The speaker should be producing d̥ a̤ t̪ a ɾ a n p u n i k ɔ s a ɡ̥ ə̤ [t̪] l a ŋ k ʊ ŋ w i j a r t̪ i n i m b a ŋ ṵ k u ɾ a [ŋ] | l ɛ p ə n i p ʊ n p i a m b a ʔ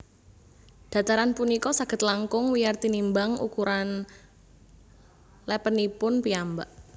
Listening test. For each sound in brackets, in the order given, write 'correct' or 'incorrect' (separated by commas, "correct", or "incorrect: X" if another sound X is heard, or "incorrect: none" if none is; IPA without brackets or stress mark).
correct, incorrect: n